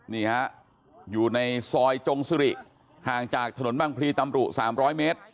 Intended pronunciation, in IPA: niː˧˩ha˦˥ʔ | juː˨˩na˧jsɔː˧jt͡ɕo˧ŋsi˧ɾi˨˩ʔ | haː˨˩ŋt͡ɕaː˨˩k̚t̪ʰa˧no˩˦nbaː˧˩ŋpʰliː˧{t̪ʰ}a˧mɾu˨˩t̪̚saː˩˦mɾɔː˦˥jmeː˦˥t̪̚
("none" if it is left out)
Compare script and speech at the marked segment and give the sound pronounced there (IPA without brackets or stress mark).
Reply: t̪